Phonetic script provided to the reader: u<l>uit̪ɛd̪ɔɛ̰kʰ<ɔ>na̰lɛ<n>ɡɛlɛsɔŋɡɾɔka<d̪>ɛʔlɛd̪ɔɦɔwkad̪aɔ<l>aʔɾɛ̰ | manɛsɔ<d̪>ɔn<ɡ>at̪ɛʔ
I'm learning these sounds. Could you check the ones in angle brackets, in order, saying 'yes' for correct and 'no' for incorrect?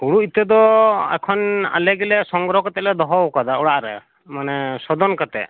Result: no, yes, no, no, no, yes, no

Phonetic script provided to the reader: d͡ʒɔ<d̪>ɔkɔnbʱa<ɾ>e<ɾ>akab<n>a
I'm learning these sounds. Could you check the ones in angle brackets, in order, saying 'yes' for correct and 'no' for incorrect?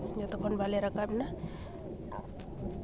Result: no, no, yes, yes

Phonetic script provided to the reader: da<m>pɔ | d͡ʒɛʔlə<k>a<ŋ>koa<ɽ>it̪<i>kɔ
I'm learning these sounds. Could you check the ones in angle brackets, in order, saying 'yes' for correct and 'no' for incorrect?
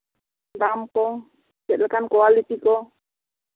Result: yes, yes, no, no, yes

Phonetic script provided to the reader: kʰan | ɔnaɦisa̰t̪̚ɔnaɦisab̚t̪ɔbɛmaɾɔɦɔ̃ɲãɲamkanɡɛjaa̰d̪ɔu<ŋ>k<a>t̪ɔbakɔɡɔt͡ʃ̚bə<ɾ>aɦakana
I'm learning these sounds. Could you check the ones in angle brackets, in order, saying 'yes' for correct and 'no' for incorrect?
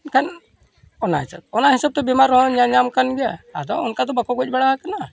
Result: no, yes, no

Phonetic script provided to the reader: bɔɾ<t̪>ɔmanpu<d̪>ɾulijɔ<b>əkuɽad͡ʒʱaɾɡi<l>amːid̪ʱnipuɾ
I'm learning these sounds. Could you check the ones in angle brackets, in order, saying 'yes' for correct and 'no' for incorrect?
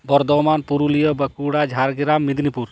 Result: no, no, yes, no

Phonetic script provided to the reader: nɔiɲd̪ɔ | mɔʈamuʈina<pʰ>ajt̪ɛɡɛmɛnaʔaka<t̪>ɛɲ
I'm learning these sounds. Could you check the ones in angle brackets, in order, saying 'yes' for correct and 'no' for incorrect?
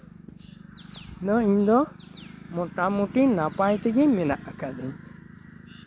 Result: no, no

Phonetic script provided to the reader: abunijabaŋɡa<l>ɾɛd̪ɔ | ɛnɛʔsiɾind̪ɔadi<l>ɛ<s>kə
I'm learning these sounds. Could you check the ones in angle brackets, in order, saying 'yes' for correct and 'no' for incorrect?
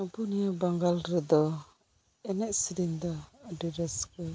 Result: yes, no, yes

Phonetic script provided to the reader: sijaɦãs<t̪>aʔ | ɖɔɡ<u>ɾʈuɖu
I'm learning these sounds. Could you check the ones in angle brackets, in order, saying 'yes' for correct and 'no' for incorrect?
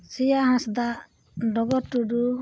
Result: no, no

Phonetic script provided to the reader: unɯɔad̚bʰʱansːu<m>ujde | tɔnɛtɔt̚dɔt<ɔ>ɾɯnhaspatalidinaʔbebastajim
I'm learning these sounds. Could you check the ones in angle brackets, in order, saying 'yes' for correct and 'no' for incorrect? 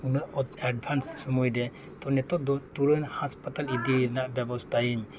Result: yes, no

